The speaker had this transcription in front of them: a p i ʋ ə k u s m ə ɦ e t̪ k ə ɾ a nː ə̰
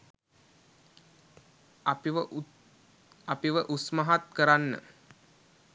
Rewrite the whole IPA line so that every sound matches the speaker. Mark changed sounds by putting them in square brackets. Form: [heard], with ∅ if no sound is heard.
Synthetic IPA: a p i ʋ ə [ʔ] u s m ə ɦ [a] t̪ k ə ɾ a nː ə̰